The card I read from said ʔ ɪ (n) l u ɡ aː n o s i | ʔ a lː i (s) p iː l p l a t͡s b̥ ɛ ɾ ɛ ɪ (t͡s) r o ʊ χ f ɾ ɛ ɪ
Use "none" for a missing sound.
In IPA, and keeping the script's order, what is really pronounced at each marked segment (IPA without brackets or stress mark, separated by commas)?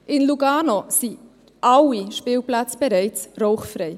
n, ʃ, t͡s